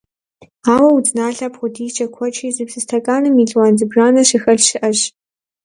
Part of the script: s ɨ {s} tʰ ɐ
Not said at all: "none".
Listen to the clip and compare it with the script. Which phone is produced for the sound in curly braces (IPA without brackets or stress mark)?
s